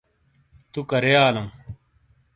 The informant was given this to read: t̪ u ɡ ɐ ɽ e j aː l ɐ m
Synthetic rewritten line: t̪ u k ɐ ɾ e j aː l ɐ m